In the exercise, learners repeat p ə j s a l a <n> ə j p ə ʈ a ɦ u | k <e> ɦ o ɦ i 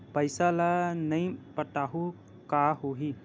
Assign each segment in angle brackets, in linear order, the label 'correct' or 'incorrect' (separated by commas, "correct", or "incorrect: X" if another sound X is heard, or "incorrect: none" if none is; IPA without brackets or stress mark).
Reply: correct, incorrect: a